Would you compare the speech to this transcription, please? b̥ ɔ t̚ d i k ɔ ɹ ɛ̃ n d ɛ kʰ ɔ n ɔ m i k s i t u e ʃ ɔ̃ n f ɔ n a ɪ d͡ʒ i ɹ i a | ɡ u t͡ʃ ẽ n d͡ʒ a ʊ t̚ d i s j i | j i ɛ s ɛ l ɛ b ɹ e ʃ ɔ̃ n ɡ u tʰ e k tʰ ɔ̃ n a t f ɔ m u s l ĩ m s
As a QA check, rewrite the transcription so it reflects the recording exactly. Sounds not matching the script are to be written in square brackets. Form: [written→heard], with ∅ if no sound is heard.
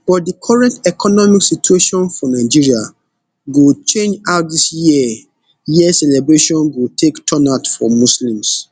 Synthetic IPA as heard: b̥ ɔ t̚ d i [k→kʰ] ɔ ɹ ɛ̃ n [d→t] ɛ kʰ ɔ n ɔ m i k s i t u e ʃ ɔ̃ n f ɔ n a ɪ d͡ʒ i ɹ i a | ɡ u t͡ʃ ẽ n d͡ʒ a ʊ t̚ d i s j i | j i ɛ s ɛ l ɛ b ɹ e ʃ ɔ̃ n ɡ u tʰ e k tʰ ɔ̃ n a t f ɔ m u s l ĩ m s